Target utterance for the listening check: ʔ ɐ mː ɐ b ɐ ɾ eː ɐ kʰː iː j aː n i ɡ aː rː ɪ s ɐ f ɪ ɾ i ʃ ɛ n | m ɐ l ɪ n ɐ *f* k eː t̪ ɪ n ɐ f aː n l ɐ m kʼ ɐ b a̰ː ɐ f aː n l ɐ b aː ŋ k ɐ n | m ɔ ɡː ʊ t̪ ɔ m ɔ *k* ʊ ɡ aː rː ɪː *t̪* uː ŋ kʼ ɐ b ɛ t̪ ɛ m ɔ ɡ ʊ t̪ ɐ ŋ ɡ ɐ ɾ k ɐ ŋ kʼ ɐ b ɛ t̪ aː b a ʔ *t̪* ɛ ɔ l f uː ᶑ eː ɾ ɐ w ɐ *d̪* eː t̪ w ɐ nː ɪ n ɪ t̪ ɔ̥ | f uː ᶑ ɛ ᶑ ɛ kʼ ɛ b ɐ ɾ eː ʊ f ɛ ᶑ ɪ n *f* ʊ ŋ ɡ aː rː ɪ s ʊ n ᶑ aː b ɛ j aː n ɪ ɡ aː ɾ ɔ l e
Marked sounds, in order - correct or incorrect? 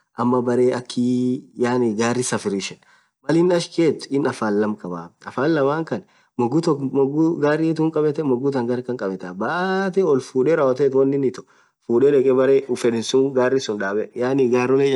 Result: incorrect: ʃ, incorrect: ɡ, correct, correct, incorrect: t̪, incorrect: s

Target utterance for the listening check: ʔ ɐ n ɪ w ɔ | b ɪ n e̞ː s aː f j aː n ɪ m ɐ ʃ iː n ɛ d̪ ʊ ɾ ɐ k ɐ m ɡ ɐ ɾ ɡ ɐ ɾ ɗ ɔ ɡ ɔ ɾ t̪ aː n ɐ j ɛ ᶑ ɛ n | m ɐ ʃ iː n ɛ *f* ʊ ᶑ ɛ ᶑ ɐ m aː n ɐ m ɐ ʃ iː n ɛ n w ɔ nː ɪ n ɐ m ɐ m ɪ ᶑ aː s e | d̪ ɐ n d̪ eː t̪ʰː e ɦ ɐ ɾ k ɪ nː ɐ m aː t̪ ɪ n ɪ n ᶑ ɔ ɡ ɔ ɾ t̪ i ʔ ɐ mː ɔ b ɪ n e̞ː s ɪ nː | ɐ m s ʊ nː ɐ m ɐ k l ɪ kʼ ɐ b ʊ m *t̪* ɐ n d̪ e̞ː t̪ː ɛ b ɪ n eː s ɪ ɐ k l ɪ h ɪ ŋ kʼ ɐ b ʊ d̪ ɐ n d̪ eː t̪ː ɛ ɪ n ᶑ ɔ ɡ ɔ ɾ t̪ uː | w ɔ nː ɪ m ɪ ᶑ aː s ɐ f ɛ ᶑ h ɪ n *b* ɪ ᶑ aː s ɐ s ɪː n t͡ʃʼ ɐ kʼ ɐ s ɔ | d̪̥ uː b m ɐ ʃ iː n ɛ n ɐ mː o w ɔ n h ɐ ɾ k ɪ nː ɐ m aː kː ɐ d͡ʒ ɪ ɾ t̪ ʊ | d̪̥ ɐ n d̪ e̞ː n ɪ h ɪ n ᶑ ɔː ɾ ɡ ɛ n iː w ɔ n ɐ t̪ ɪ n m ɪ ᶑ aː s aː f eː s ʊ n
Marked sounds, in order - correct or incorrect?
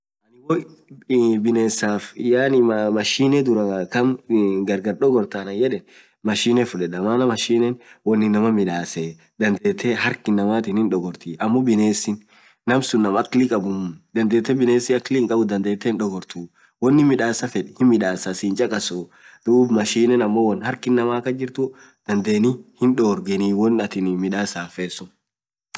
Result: correct, incorrect: d̪, incorrect: m

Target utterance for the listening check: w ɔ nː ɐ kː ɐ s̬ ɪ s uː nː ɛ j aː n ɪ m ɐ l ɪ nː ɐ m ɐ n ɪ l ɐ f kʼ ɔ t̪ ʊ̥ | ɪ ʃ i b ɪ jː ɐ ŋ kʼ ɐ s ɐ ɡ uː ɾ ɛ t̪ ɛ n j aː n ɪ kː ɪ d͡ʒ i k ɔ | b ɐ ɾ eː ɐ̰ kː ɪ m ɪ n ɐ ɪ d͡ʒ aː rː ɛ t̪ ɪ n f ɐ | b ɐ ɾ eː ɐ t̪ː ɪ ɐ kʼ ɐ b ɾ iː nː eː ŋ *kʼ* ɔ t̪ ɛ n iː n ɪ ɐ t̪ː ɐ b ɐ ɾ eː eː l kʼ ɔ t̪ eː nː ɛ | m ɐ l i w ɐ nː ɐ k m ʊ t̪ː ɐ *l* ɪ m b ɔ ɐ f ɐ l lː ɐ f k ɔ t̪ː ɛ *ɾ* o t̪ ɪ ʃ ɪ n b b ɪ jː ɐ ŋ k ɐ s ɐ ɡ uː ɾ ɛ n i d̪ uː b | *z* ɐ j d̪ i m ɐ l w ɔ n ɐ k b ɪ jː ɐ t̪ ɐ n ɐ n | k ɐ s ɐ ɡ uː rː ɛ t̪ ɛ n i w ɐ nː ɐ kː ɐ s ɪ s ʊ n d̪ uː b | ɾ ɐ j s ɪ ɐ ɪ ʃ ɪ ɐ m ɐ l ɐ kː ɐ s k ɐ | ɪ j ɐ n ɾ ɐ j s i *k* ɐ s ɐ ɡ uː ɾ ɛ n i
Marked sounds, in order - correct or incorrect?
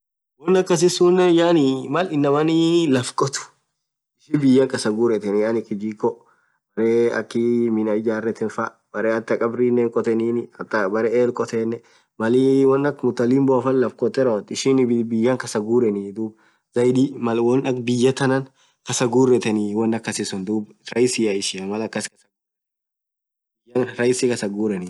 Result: correct, correct, correct, correct, correct

